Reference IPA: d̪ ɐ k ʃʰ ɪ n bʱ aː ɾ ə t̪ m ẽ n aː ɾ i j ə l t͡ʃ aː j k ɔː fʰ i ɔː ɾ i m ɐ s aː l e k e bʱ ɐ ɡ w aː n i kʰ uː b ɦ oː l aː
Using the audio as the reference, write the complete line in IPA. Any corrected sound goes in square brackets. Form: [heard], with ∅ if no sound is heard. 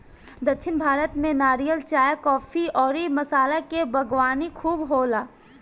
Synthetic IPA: d̪ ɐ k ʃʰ ɪ n bʱ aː ɾ ə t̪ m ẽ n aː ɾ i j ə l t͡ʃ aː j k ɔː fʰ i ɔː ɾ i m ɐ s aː l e k e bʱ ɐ ɡ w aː n i kʰ uː b ɦ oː l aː